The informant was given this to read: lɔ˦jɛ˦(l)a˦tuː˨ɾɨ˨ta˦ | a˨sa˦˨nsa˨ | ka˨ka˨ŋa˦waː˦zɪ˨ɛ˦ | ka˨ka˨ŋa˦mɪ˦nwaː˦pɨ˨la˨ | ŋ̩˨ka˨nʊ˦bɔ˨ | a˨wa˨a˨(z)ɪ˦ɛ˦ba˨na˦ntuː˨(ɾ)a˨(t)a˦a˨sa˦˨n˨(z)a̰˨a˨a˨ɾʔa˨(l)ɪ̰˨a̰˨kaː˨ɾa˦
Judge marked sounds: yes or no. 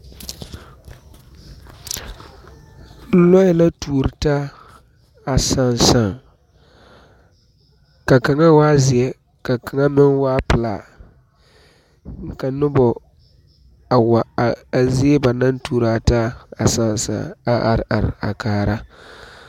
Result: yes, yes, yes, yes, no, no

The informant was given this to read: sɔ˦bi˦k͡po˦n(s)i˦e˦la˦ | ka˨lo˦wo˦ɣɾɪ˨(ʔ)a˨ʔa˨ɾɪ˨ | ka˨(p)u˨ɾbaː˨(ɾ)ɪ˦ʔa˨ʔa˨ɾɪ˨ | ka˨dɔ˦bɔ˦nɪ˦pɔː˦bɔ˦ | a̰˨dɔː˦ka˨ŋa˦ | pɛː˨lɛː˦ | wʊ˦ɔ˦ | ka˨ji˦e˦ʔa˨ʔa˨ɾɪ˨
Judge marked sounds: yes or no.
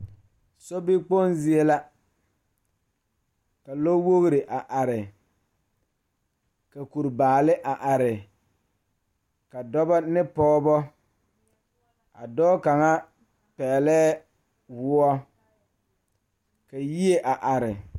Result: no, yes, no, no

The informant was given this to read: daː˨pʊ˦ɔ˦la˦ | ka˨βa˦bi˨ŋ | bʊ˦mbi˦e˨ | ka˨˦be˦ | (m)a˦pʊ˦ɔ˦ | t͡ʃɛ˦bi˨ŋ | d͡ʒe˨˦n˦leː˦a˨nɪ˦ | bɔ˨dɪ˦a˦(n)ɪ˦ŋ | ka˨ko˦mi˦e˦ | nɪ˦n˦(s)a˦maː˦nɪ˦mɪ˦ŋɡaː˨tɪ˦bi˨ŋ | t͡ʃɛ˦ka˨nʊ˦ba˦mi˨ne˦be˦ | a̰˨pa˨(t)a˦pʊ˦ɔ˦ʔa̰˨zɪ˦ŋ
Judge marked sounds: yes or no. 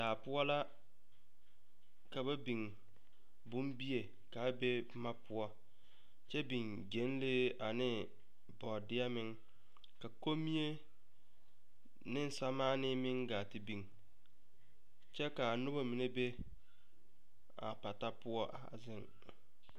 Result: yes, no, yes, yes

